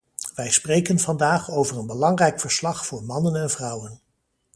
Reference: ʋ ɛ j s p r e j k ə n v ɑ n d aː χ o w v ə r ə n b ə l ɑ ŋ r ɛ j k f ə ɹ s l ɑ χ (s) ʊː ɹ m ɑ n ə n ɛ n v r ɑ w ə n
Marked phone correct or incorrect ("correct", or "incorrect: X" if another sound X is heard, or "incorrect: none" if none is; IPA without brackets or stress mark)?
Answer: incorrect: f